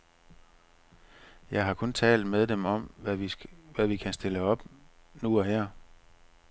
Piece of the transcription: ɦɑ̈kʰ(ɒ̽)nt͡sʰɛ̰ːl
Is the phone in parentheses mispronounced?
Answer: yes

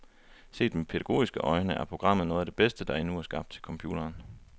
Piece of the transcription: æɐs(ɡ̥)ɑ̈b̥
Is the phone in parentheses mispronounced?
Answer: no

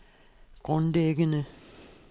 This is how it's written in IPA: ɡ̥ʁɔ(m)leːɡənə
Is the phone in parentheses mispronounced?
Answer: yes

